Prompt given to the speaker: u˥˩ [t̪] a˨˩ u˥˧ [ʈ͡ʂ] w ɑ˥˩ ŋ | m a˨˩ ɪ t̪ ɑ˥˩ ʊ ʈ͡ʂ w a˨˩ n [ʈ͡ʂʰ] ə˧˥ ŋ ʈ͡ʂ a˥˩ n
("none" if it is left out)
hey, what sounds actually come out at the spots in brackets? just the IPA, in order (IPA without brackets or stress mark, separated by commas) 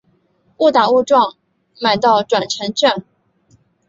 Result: t̪, ʈ͡ʂ, ʈ͡ʂʰ